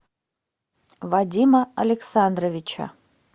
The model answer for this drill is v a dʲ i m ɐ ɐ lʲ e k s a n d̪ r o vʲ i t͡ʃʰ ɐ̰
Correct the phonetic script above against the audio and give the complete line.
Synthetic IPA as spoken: v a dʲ i m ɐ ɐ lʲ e k s a n d̪ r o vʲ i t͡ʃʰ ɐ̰